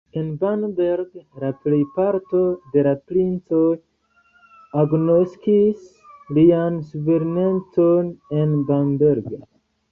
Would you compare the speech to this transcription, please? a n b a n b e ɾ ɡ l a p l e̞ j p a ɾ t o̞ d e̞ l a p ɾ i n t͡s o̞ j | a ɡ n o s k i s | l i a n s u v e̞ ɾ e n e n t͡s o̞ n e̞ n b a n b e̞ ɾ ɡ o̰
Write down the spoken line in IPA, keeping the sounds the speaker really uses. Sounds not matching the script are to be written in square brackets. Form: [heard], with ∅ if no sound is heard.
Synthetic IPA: [e] n b a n b e ɾ ɡ l a p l e̞ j p a ɾ t o̞ d e̞ l a p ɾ i n t͡s o̞ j | a ɡ n o s k i s | l i a n s u v e̞ ɾ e n e n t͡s o̞ n e̞ n b a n b e̞ ɾ ɡ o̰